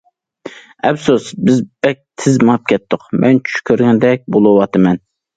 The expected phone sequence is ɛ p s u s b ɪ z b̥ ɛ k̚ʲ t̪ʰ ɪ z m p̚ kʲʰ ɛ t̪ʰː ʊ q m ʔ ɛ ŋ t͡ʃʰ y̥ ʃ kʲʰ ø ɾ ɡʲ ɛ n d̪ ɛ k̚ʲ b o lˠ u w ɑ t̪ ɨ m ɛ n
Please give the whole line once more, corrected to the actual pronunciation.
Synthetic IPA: ɛ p s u s b ɪ z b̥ ɛ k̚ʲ t̪ʰ ɪ z m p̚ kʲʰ ɛ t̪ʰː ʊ q m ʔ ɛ n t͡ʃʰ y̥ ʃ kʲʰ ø ɾ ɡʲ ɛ n d̪ ɛ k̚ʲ b o lˠ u w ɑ t̪ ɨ m ɛ n